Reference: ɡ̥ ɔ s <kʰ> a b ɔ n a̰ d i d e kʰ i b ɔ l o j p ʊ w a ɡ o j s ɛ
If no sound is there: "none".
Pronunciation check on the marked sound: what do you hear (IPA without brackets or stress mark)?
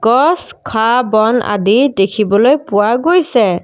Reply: kʰ